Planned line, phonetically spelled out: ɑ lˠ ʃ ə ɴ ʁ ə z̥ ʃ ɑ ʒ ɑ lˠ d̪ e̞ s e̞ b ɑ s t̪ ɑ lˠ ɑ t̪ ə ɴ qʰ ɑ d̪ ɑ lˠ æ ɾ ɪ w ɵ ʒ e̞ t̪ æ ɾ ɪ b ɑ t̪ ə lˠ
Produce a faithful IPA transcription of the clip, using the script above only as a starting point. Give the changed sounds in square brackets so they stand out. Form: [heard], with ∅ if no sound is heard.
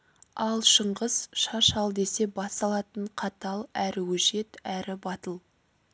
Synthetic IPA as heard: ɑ lˠ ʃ ə ɴ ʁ ə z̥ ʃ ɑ [ʃ] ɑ lˠ d̪ e̞ s e̞ b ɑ s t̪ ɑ lˠ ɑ t̪ ə ɴ qʰ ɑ [t̪] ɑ lˠ æ ɾ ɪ w ɵ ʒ e̞ t̪ æ ɾ ɪ b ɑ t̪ ə lˠ